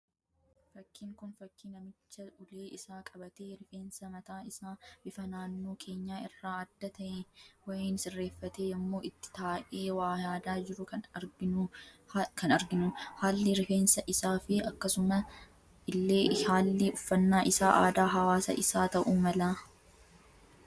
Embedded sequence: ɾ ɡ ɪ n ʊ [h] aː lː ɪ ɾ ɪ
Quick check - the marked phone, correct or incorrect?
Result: correct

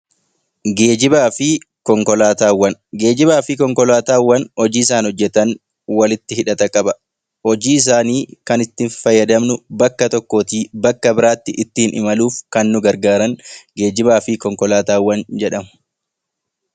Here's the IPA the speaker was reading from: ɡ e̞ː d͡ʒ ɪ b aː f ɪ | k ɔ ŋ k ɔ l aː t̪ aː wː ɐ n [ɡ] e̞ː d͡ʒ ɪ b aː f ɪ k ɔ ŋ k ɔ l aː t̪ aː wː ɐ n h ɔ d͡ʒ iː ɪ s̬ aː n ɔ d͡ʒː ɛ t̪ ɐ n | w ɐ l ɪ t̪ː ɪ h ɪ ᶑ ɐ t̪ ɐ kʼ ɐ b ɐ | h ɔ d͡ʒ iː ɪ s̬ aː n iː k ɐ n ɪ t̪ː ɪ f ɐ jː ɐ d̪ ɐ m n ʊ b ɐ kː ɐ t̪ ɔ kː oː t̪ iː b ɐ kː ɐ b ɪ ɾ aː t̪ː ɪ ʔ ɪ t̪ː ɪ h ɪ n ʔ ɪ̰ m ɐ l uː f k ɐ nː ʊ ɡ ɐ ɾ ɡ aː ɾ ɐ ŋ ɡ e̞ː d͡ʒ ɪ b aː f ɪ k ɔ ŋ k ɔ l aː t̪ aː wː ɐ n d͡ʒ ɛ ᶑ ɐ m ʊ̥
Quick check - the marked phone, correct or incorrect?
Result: correct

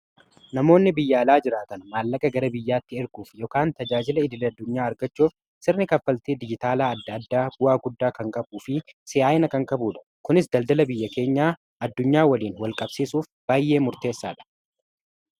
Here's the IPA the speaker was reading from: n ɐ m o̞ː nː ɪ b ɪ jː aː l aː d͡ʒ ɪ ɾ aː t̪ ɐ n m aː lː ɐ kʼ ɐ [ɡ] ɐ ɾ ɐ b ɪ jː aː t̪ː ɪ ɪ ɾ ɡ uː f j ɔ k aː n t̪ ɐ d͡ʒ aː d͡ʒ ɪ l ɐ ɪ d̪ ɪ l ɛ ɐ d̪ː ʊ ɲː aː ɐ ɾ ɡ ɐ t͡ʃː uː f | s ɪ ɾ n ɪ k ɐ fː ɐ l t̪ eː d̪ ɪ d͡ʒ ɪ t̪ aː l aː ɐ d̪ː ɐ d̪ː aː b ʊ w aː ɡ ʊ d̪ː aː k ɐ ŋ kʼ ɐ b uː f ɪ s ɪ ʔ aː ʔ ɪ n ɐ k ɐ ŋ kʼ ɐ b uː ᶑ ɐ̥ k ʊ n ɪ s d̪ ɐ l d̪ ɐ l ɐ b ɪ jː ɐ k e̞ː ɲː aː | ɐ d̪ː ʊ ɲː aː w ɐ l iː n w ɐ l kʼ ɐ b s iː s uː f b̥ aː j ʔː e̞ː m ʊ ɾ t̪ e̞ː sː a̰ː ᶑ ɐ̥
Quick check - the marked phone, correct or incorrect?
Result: correct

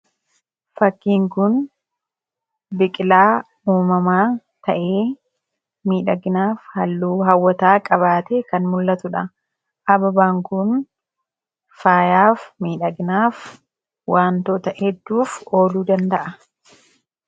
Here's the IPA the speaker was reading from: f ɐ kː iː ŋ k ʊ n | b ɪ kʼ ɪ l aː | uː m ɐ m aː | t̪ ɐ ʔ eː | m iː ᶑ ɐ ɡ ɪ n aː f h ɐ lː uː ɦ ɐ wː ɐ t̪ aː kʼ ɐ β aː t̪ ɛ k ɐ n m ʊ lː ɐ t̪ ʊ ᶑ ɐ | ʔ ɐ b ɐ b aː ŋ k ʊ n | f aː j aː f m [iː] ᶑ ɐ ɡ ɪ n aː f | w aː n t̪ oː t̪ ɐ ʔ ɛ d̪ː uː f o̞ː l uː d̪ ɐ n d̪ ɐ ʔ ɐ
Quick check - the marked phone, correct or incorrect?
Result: correct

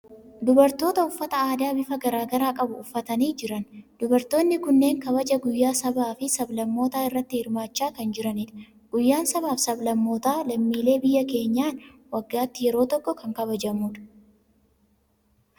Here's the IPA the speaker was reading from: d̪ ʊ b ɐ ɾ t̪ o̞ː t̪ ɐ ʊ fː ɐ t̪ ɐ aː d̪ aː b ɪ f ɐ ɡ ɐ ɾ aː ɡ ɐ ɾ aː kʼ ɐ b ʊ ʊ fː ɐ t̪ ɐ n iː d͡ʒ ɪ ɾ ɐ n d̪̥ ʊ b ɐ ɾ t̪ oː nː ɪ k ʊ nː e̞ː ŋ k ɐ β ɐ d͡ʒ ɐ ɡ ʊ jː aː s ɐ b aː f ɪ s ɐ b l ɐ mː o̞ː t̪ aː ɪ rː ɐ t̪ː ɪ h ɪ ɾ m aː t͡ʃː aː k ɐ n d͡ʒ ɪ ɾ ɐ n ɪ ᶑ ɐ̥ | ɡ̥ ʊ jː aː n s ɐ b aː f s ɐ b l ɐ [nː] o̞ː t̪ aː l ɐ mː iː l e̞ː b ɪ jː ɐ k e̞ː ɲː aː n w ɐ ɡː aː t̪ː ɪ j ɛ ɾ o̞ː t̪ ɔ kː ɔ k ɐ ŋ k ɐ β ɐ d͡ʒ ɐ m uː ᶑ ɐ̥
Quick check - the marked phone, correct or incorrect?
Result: incorrect: mː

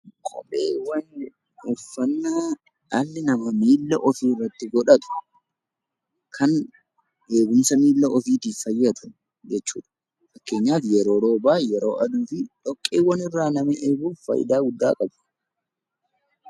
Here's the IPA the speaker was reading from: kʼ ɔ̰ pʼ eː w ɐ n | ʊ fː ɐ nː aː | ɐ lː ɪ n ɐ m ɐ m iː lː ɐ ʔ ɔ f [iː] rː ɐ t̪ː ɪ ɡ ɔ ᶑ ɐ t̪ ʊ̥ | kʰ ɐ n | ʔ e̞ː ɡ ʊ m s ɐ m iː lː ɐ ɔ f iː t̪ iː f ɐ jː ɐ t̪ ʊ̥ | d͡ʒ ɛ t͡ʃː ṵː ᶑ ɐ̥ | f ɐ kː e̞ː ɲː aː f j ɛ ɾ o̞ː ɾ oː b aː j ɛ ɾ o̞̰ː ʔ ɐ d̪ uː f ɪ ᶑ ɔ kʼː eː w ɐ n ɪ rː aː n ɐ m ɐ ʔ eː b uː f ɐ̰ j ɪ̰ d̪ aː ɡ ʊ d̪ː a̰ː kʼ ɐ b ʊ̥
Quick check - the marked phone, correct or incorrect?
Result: correct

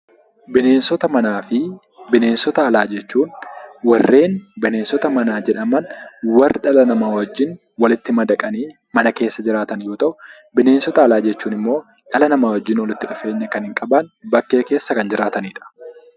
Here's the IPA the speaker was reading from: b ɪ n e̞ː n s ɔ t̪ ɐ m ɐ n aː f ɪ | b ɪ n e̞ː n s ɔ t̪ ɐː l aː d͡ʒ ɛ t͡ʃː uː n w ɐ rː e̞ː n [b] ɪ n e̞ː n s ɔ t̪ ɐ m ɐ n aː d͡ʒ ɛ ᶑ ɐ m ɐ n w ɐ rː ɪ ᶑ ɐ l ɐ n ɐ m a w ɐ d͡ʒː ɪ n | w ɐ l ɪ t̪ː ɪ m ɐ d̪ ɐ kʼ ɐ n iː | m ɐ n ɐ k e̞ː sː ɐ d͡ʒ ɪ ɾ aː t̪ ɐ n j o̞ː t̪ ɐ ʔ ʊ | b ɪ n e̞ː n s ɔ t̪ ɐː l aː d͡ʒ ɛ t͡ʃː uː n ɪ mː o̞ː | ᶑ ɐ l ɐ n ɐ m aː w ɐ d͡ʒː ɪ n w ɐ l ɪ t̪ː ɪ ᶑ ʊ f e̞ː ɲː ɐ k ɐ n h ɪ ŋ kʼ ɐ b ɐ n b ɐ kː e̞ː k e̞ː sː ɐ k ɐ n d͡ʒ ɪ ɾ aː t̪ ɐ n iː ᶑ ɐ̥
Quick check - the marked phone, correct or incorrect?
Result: correct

